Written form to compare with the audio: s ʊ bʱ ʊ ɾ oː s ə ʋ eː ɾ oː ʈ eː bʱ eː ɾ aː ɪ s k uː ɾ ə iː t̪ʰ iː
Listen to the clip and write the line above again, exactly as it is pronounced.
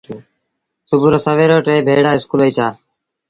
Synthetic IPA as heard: s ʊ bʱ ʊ ɾ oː s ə ʋ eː ɾ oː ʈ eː bʱ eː ɽ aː ɪ s k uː l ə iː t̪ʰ aː